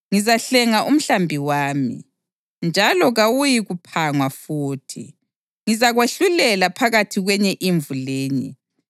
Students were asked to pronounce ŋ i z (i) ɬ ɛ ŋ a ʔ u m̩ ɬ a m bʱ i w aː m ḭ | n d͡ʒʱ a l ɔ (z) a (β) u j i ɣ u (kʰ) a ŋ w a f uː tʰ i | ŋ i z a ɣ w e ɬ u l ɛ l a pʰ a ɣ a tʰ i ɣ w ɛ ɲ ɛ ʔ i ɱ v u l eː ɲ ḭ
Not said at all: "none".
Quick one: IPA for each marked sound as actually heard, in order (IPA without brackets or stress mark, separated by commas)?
a, ɣ, w, pʰ